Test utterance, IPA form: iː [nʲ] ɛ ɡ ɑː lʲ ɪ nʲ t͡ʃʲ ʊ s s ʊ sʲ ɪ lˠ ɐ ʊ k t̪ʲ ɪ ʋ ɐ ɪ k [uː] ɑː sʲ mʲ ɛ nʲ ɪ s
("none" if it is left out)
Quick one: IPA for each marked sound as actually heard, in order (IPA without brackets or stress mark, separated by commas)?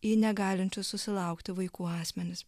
nʲ, uː